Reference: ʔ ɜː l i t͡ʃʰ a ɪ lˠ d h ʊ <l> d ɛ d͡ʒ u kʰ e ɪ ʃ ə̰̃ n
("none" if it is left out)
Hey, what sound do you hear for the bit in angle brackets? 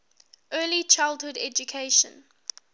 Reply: none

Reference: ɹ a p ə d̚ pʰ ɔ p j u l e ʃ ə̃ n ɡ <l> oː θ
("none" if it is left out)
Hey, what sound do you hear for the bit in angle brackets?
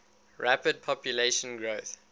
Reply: ɹ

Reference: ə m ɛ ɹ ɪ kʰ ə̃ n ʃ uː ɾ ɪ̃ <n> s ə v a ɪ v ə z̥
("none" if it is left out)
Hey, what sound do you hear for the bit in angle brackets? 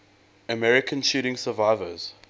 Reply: ŋ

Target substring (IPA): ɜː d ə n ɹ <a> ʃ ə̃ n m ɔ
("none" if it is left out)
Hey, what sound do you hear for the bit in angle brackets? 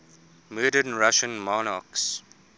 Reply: a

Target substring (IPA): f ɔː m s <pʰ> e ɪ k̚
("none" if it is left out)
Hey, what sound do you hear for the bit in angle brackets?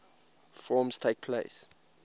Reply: tʰ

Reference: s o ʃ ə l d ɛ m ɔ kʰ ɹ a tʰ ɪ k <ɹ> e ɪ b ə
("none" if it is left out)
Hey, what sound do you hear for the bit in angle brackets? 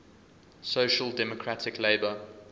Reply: l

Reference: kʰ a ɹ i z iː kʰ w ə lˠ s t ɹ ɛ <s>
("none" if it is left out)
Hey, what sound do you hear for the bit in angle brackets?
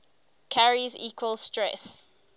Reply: s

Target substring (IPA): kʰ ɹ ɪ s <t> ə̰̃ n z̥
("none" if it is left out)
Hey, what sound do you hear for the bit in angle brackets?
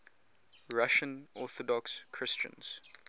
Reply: t͡ʃ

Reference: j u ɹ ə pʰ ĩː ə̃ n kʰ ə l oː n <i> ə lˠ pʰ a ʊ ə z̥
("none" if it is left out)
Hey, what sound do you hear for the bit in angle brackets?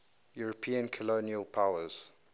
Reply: i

